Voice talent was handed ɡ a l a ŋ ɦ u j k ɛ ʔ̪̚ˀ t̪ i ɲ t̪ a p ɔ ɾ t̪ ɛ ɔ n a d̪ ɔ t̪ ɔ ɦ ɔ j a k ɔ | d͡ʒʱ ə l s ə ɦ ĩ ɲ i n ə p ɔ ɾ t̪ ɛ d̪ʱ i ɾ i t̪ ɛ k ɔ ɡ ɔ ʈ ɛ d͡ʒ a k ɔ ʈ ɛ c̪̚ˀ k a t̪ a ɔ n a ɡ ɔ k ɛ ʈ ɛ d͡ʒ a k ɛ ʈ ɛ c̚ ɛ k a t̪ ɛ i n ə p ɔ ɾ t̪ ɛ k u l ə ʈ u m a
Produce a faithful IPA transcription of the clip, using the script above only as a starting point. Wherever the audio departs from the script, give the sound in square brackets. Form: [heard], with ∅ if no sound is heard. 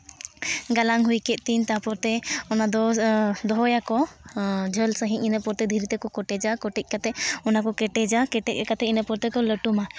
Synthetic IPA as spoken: ɡ a l a ŋ ɦ u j k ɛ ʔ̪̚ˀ t̪ i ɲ t̪ a p ɔ ɾ t̪ ɛ ɔ n a d̪ ɔ [d̪] ɔ ɦ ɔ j a k ɔ | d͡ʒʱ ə l s ə ɦ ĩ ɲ i n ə p ɔ ɾ t̪ ɛ d̪ʱ i ɾ i t̪ ɛ k ɔ [k] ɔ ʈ ɛ d͡ʒ a k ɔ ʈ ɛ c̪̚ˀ k a t̪ [ɛ] ɔ n a [k] ɔ k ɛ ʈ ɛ d͡ʒ a k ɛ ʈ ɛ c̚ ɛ k a t̪ ɛ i n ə p ɔ ɾ t̪ ɛ k [ɔ] l ə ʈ u m a

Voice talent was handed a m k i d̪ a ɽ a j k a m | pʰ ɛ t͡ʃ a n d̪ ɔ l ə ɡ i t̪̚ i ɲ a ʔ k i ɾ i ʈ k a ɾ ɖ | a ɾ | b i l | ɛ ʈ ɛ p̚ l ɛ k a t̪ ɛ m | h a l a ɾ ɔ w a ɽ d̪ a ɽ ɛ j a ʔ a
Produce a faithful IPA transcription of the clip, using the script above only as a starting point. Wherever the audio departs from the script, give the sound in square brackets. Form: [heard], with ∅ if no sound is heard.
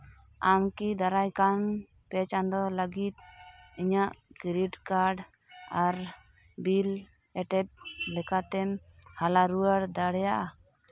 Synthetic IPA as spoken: a m k i d̪ a [ɾ] a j k a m | [p] ɛ t͡ʃ a n d̪ ɔ l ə ɡ i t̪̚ i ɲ a ʔ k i ɾ i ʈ k a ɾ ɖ | a ɾ | b i l | ɛ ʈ ɛ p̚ l ɛ k a t̪ ɛ m | h a l a ɾ [u] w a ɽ d̪ a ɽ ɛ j a ʔ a

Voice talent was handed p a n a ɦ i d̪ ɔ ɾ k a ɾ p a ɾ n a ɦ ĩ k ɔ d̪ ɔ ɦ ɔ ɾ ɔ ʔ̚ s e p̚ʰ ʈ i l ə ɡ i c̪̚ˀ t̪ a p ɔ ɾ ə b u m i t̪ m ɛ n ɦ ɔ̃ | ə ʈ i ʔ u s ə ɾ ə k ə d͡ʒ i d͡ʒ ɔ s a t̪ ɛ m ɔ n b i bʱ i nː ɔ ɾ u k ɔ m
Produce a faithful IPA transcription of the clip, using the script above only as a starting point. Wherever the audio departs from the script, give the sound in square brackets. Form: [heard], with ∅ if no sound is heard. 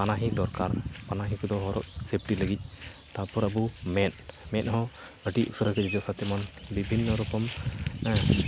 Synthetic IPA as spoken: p a n a ɦ i d̪ ɔ ɾ k a ɾ p a [∅] n a ɦ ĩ k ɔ d̪ ɔ ɦ ɔ ɾ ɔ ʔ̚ s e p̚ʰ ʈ i l ə ɡ i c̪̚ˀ t̪ a p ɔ ɾ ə b u m [ɛ] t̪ m ɛ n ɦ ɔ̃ | ə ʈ i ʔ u s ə ɾ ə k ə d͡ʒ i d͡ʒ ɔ s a t̪ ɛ m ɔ n b i bʱ i nː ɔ ɾ u k ɔ m

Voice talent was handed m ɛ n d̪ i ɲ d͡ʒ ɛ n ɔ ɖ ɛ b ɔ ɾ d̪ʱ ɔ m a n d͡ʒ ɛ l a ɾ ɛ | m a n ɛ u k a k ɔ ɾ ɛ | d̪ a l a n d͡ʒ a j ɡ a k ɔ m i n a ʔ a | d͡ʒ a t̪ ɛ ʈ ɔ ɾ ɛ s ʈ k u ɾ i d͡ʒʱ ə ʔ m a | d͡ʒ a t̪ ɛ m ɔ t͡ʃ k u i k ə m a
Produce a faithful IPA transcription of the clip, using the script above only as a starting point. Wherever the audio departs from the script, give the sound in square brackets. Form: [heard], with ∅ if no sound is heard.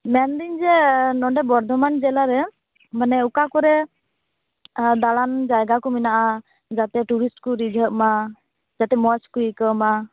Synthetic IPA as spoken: m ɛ n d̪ i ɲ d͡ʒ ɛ n ɔ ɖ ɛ b ɔ ɾ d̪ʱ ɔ m a n d͡ʒ ɛ l a ɾ ɛ | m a n ɛ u k a k ɔ ɾ ɛ | d̪ a l a n d͡ʒ a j ɡ a k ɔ m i n a ʔ a | d͡ʒ a t̪ ɛ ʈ [u] ɾ [i] s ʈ k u ɾ i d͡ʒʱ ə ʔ m a | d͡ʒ a t̪ ɛ m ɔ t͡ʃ k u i k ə m a

